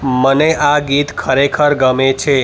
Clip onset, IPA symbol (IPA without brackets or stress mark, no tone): m